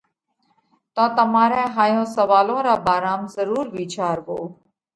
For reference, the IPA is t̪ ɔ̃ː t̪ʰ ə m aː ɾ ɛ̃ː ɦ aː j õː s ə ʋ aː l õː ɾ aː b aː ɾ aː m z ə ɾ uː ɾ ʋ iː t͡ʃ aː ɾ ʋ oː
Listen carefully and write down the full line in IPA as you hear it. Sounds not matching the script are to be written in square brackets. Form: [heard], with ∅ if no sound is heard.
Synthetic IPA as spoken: t̪ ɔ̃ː [t̪] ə m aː ɾ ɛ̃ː ɦ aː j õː s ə ʋ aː l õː ɾ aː b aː ɾ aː m z ə ɾ uː ɾ ʋ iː t͡ʃ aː ɾ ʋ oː